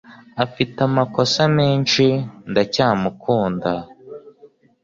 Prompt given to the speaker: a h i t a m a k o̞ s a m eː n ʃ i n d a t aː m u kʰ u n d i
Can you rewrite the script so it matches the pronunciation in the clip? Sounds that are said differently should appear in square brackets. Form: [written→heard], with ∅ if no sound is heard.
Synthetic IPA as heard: a [h→f] i t a m a k o̞ s a m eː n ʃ i n d a [t→c] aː m u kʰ [u→uː] n d [i→a]